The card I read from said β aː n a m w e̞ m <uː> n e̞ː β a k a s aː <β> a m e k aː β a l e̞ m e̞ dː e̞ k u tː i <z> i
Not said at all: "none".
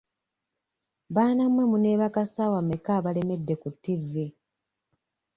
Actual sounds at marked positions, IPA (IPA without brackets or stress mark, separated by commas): u, w, v